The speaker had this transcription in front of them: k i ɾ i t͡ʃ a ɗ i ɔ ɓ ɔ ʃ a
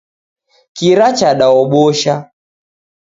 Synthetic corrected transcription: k i ɾ a t͡ʃ a ɗ a ɔ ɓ ɔ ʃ a